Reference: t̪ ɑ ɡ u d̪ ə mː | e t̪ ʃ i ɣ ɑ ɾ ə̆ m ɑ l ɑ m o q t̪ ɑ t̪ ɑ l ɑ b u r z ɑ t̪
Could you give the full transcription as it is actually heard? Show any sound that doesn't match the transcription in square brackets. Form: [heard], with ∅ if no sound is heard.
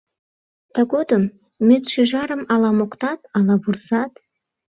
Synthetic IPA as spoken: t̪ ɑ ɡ [o] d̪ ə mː | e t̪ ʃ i [ʒ] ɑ ɾ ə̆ m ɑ l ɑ m o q t̪ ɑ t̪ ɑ l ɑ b u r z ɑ t̪